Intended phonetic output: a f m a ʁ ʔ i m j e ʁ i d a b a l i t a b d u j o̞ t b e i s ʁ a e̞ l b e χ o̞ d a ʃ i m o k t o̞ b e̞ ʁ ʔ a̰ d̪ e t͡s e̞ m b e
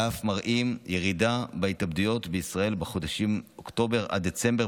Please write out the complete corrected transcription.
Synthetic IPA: a f m a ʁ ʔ i m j e ʁ i d a b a i t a b d u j o̞ t b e i s ʁ a e̞ l b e χ o̞ d a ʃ i m o k t o̞ b e̞ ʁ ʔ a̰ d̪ e t͡s e̞ m b e

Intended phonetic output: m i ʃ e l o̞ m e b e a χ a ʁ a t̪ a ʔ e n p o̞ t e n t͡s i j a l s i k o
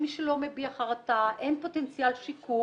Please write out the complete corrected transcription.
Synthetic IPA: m i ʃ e l o̞ m e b i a χ a ʁ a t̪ a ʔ e n p o̞ t e n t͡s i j a l ʃ i k u

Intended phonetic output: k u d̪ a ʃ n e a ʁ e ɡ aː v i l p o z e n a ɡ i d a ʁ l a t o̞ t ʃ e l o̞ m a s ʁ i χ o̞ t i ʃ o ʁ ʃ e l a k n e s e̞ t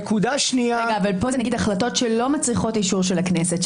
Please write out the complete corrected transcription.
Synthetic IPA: k u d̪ a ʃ n i a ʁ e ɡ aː v a l p o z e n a ɡ i d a χ l a t o̞ t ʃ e l o̞ m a t͡s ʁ i χ o̞ t i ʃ u ʁ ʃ e l a k n e s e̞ t

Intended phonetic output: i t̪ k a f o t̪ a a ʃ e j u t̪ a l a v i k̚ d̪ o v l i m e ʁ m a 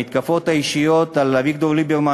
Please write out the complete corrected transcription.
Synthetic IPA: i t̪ k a f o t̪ a i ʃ i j o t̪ a l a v i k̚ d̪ o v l i b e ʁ m a

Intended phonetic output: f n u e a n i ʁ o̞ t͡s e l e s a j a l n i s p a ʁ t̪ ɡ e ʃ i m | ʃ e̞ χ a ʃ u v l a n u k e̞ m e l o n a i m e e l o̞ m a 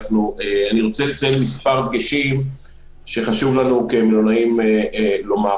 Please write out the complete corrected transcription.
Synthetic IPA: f n u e a n i ʁ o̞ t͡s e l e t͡s a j e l m i s p a ʁ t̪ ɡ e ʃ i m | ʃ e̞ χ a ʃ u v l a n u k e̞ m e l o n a i m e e l o̞ m a

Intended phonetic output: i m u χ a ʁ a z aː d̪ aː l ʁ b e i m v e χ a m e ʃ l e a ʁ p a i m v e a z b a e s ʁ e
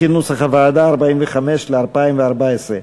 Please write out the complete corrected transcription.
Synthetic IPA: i n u s a χ a v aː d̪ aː ʁ b a i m v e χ a m e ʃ l e a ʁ p a i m v e a ʁ b a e s ʁ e

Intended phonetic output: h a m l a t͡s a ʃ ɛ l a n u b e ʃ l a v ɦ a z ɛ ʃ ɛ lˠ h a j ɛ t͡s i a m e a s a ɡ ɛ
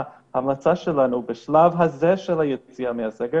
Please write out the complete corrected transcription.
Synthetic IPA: h a m l a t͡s a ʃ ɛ l a n u b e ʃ l a v ɦ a z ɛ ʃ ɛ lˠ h a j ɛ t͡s i a m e a s ɛ ɡ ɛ

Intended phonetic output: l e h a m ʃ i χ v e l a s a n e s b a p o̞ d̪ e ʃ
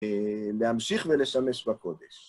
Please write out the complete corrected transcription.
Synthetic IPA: l e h a m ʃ i χ v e l e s a m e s b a k o̞ d̪ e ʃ

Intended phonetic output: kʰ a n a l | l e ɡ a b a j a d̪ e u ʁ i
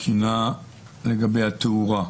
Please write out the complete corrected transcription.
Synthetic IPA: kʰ i n a | l e ɡ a b e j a t̪ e u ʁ a

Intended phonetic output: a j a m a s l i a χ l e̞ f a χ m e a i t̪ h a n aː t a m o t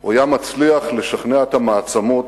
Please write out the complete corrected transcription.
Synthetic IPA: a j a m a t͡s l i a χ l e̞ ʃ a χ n e a e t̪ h a m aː t͡s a m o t

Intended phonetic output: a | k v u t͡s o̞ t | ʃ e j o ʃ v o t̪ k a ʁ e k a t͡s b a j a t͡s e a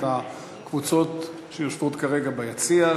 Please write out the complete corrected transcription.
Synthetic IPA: a | k v u t͡s o̞ t | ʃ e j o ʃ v o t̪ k a ʁ e ɡ a b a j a t͡s i a

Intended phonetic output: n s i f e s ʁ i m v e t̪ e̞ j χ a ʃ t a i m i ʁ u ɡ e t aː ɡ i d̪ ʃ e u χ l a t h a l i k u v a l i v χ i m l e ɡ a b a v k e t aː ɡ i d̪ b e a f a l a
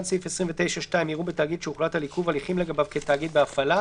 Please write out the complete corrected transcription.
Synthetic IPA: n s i f e s ʁ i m v e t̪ e̞ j ʃ a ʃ t a i m i ʁ u b e t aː ɡ i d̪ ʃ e u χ l a t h a l i k u v a l i χ i m l e ɡ a b a v k e t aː ɡ i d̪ b e a f a l a

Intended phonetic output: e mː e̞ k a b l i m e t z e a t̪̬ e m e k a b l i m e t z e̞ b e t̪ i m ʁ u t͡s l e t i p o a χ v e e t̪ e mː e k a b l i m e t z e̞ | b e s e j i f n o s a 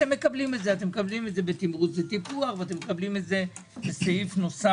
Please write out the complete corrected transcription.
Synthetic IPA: e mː e̞ k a b l i m e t z e a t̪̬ e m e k a b l i m e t z e̞ b e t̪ i m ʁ u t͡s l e t i p u a χ v e a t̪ e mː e k a b l i m e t z e̞ | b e s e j i f n o s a

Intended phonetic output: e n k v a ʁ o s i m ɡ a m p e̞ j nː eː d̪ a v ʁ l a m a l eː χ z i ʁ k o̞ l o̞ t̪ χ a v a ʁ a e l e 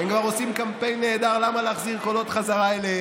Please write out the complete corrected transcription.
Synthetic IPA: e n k v a ʁ o s i m k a m p e̞ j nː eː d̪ a ʁ l a m a l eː χ z i ʁ k o̞ l o̞ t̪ χ a z a ʁ a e l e

